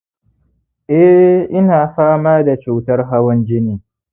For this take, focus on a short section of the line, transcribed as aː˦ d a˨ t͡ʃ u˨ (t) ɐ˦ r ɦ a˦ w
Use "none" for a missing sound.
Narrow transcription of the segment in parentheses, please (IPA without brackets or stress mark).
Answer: t